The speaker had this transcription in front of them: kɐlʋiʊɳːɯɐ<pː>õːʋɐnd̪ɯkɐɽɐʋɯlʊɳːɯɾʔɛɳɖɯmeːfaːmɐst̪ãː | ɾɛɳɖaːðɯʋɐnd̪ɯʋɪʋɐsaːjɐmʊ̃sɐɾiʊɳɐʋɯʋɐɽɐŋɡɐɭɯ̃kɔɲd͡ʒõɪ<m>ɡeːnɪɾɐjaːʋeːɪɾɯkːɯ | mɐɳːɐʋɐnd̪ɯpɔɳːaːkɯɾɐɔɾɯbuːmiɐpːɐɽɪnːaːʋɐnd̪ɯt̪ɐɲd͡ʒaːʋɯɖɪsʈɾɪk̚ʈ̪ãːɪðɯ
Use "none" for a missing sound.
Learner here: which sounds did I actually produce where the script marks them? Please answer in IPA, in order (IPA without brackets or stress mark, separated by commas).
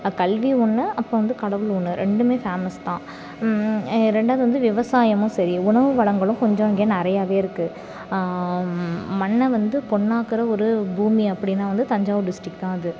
pː, ŋ